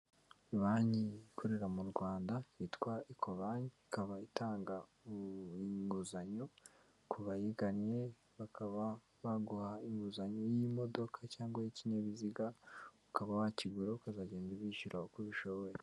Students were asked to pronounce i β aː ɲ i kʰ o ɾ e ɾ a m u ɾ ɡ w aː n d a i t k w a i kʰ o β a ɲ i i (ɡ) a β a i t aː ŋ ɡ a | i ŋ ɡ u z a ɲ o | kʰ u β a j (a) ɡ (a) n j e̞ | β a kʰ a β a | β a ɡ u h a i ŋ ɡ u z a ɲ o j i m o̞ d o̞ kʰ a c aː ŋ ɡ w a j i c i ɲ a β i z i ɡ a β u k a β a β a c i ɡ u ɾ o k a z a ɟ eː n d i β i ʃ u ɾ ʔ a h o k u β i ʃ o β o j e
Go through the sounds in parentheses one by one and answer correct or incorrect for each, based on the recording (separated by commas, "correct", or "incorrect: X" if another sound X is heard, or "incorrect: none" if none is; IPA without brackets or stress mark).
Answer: incorrect: k, incorrect: i, correct